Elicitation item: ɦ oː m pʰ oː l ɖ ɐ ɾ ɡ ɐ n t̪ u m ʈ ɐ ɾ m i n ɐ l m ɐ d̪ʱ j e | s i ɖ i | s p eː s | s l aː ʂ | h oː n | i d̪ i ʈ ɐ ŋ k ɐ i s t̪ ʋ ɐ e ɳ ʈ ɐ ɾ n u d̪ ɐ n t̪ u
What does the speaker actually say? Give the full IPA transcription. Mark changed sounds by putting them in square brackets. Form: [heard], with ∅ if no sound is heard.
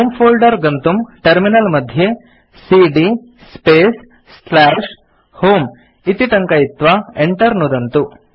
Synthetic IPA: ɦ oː m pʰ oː l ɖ ɐ ɾ ɡ ɐ n t̪ u m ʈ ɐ ɾ m i n ɐ l m ɐ d̪ʱ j e | s i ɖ i | s p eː s | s l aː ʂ | h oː [m] | i [t̪] i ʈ ɐ ŋ k ɐ i [∅] t̪ ʋ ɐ e ɳ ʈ ɐ ɾ n u d̪ ɐ n t̪ u